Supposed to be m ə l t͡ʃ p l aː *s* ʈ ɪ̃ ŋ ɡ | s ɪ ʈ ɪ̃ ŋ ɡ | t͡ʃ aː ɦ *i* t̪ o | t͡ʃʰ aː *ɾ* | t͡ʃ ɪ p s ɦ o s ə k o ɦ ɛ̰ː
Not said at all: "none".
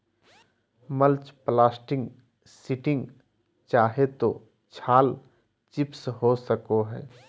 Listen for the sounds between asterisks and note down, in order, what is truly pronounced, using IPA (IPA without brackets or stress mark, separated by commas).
s, e, l